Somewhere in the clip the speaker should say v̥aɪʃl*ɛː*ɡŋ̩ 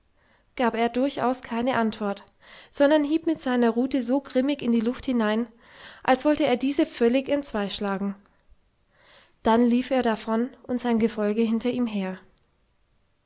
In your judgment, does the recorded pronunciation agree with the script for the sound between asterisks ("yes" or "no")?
no